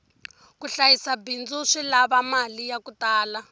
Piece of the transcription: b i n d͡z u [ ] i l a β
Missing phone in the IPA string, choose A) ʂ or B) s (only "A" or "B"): A